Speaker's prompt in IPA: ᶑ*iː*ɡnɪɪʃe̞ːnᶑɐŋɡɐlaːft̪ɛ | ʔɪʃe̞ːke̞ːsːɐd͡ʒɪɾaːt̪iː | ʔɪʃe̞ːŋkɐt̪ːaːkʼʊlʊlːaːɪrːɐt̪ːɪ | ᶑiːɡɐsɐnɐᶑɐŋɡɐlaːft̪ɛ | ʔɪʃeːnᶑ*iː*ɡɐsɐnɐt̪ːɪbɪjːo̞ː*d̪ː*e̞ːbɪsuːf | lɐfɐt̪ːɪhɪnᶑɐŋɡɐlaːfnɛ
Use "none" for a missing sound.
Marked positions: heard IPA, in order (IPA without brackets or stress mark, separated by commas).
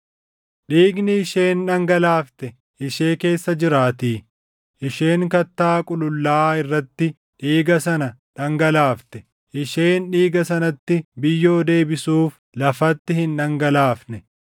iː, iː, d̪